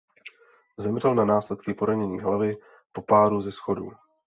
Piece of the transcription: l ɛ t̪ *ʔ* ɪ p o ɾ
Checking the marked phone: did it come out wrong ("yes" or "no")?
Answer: yes